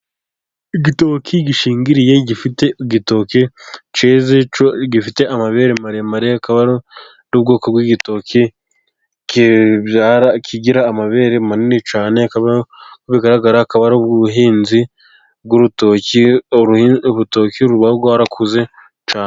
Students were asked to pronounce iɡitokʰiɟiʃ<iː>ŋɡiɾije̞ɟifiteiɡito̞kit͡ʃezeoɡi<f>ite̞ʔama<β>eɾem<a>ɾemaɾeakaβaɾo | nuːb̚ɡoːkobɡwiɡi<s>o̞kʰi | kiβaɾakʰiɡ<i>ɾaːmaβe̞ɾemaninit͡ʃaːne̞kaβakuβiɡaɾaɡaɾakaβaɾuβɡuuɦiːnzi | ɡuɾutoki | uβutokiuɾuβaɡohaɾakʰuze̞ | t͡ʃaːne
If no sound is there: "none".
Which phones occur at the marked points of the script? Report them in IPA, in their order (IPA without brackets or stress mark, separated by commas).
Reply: iː, f, β, a, t, i